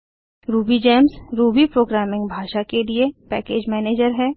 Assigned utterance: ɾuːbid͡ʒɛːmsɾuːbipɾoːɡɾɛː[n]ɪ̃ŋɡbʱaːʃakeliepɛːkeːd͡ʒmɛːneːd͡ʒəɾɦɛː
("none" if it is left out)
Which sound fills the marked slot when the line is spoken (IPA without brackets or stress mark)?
m